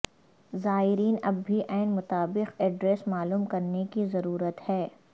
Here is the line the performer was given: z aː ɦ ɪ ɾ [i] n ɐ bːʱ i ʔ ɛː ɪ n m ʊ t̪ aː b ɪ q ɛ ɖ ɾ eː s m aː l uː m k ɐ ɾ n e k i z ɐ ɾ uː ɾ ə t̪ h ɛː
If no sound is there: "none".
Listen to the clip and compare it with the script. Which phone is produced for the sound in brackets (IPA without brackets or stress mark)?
iː